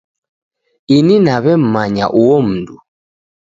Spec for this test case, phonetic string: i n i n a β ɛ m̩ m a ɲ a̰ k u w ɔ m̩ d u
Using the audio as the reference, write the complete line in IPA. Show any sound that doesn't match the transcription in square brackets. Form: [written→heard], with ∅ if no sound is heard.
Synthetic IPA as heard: i n i n a β ɛ m̩ m a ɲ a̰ [k→ʔ] u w ɔ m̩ d u